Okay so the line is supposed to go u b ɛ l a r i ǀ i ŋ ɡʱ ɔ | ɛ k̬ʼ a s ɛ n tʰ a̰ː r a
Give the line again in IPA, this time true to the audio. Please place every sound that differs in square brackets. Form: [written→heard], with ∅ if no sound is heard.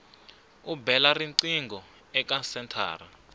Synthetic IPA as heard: u b ɛ l a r i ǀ i ŋ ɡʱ ɔ | ɛ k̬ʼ a s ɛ n tʰ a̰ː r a